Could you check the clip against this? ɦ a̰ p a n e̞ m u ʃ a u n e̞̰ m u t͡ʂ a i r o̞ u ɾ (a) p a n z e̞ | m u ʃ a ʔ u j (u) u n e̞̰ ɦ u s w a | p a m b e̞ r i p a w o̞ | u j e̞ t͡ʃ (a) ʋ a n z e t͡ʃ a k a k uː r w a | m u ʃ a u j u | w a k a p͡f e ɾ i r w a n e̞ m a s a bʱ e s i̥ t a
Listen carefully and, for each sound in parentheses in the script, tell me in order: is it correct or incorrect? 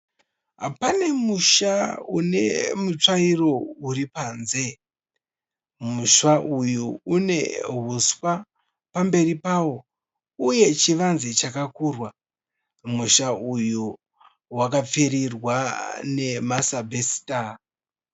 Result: incorrect, correct, incorrect

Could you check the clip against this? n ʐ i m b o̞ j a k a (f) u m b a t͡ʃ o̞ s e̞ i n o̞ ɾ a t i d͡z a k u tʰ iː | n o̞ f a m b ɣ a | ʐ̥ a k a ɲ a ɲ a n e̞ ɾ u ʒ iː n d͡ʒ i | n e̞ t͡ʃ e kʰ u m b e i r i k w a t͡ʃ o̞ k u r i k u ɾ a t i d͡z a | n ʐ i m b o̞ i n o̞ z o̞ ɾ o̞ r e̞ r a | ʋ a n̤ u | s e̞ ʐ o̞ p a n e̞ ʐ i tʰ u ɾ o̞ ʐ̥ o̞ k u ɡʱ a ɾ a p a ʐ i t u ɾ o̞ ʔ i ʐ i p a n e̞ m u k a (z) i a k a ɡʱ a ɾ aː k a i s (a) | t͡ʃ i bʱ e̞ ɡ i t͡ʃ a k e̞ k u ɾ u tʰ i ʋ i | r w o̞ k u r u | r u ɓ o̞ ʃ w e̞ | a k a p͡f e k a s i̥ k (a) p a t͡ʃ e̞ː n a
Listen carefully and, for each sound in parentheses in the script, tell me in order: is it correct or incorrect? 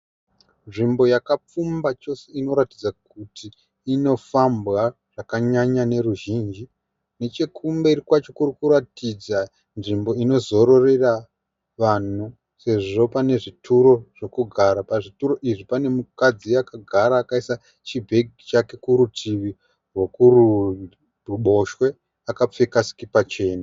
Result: incorrect, incorrect, correct, incorrect

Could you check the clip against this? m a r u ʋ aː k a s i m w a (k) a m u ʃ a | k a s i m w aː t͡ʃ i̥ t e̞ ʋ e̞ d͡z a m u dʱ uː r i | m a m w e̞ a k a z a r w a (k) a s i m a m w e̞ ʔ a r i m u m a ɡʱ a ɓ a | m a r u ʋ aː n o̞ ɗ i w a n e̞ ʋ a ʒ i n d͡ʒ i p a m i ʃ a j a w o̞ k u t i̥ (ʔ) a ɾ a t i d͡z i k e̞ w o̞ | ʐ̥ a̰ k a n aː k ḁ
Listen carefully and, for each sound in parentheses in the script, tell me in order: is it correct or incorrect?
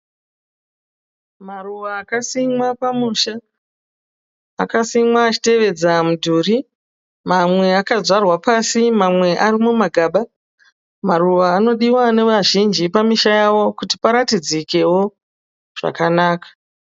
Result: incorrect, incorrect, incorrect

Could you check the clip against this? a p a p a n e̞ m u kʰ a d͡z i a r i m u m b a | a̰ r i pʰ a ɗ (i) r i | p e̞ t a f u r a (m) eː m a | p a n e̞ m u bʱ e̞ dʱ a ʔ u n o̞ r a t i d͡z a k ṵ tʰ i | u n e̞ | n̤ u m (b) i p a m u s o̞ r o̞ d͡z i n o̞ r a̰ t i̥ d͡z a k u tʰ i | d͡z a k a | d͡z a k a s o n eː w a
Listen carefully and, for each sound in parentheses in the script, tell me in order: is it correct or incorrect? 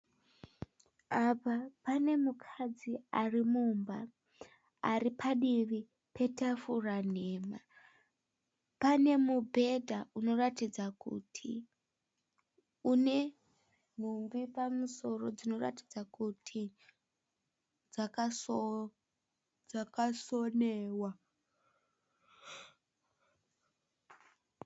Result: correct, incorrect, correct

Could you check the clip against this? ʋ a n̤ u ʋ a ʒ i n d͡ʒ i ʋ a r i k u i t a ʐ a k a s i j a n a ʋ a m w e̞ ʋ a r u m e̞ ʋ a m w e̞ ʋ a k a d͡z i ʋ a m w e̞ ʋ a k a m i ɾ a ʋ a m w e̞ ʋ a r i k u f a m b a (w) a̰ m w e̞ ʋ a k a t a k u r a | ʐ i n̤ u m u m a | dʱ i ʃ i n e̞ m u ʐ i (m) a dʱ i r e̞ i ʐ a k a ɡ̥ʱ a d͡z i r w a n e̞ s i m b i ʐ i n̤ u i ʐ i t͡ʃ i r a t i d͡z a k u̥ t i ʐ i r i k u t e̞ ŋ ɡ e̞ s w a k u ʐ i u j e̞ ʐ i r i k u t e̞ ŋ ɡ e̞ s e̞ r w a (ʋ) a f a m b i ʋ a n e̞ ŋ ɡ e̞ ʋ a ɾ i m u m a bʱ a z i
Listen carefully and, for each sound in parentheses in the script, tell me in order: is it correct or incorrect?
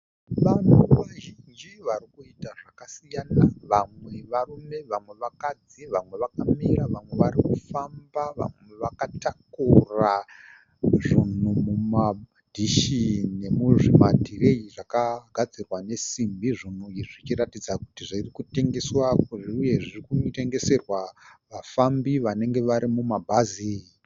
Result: incorrect, correct, correct

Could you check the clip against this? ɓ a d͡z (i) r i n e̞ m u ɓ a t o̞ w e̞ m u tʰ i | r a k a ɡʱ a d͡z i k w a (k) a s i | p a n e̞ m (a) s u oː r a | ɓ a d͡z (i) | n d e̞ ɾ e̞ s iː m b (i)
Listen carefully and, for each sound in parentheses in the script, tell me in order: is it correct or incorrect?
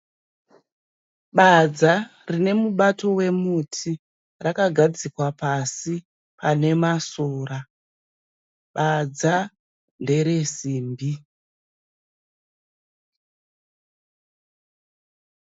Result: incorrect, incorrect, correct, incorrect, correct

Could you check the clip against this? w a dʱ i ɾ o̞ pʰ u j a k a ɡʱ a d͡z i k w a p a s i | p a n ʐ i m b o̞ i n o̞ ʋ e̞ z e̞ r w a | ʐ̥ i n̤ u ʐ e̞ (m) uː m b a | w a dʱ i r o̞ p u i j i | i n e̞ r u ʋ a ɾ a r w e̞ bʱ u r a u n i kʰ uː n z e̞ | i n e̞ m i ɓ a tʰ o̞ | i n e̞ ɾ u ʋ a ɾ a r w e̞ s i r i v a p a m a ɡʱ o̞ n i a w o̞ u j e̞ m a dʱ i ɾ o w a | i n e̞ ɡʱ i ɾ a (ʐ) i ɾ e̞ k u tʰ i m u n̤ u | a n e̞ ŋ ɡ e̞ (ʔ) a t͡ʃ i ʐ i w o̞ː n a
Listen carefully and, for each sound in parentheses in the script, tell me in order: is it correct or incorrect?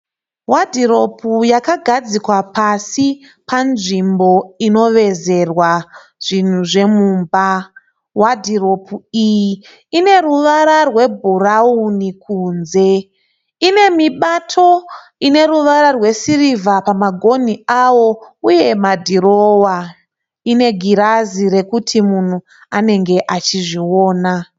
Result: correct, incorrect, correct

